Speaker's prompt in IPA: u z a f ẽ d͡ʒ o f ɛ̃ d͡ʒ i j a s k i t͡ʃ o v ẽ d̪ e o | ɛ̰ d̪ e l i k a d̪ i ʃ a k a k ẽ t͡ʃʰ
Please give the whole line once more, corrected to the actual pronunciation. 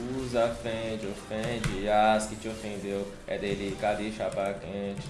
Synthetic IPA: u z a f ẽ d͡ʒ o f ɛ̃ d͡ʒ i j a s k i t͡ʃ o f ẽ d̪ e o | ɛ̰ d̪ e l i k a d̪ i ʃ a p a k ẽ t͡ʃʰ

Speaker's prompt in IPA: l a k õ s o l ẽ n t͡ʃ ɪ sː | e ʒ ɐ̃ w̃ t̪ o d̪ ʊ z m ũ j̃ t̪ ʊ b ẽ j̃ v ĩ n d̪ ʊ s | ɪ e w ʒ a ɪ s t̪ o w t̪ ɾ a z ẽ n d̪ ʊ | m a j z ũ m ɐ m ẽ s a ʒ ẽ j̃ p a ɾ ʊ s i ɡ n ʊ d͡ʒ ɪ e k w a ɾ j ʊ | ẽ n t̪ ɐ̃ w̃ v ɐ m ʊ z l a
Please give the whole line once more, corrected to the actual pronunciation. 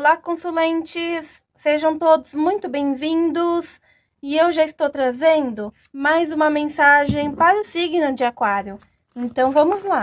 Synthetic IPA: l a k õ s u l ẽ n t͡ʃ ɪ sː | e ʒ ɐ̃ w̃ t̪ o d̪ ʊ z m ũ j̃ t̪ ʊ b ẽ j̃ v ĩ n d̪ ʊ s | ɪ e w ʒ a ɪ s t̪ o w t̪ ɾ a z ẽ n d̪ ʊ | m a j z ũ m ɐ m ẽ s a ʒ ẽ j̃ p a ɾ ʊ s i ɡ n ʊ d͡ʒ ɪ a k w a ɾ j ʊ | ẽ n t̪ ɐ̃ w̃ v ɐ̃ m ʊ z l a

